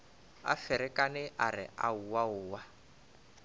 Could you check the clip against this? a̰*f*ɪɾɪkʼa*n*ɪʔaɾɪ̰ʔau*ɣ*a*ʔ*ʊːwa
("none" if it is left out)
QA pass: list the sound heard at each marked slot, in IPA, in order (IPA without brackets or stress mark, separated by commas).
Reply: f, n, w, none